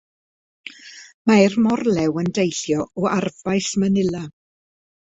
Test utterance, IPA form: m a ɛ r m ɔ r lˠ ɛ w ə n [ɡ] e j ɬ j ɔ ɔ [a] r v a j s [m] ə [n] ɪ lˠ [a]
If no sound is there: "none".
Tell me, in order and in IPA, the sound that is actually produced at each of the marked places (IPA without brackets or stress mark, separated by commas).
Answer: d, a, m, n, a